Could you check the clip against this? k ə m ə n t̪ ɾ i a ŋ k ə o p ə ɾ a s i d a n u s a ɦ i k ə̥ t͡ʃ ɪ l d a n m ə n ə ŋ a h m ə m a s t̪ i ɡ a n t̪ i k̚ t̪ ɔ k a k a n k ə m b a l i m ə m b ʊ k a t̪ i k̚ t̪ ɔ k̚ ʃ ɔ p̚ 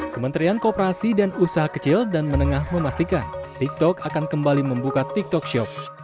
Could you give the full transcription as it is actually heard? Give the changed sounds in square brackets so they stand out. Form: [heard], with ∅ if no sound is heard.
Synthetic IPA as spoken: k ə m ə n t̪ ɾ i a [n] k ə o p ə ɾ a s i d a n u s a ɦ [a] k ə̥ t͡ʃ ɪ l d a n m ə n ə ŋ a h m ə m a s t̪ i [k] a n t̪ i k̚ t̪ ɔ k a k a n k ə m b a l i m ə m b [u] k a t̪ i k̚ t̪ ɔ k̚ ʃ ɔ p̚